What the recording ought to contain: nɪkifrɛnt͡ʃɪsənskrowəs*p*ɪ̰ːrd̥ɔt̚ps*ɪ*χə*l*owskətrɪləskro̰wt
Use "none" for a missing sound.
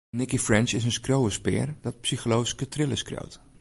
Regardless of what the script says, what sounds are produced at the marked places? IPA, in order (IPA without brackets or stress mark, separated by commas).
p, i, l